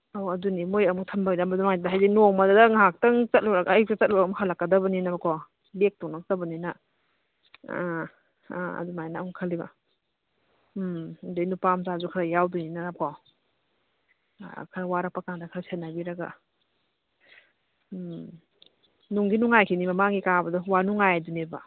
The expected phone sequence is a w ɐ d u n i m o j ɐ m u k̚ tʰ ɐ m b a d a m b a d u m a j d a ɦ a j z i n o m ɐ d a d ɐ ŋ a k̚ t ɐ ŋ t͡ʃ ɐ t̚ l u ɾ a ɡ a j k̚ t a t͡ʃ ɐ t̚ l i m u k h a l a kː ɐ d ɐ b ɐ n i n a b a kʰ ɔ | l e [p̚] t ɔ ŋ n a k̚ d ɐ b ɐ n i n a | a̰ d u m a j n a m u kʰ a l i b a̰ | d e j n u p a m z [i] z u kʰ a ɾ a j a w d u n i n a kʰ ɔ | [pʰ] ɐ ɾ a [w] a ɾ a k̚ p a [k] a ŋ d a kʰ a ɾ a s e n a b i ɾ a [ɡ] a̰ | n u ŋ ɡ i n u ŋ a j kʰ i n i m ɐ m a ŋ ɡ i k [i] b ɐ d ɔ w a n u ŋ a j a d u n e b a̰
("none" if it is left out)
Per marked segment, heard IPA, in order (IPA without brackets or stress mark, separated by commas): k̚, a, kʰ, w, k, ɡ, a